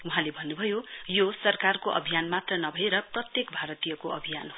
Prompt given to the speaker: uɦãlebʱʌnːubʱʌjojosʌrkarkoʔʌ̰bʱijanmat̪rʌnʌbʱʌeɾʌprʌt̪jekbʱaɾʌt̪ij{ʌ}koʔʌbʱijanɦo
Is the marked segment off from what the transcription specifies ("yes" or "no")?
no